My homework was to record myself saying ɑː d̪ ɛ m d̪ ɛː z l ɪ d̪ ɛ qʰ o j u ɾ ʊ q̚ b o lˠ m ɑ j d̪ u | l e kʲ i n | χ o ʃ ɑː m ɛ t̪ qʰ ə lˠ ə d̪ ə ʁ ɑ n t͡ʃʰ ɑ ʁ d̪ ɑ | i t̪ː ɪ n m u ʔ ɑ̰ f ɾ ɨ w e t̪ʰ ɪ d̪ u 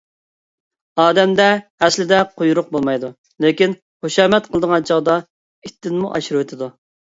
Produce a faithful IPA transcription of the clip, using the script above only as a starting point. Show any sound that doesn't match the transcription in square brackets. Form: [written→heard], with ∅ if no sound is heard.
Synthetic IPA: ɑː d̪ ɛ m d̪ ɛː [z→s] l ɪ d̪ ɛ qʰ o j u ɾ ʊ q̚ b o lˠ m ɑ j d̪ u | l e kʲ i n | χ o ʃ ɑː m ɛ t̪ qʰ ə lˠ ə d̪ ə ʁ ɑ n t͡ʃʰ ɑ ʁ d̪ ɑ | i t̪ː ɪ n m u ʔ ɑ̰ [f→ʃ] ɾ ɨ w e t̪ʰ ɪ d̪ u